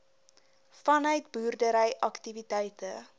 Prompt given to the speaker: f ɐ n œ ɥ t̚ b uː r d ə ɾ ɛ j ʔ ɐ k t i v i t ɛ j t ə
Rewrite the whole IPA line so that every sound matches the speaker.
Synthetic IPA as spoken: f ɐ n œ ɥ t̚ b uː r d ə ɾ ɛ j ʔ ɐ k t i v i t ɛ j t ə